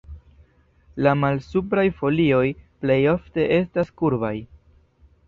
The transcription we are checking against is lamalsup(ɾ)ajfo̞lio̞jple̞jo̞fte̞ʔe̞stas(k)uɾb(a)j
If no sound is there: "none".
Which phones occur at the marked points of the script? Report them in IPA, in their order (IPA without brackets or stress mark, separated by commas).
ɾ, k, a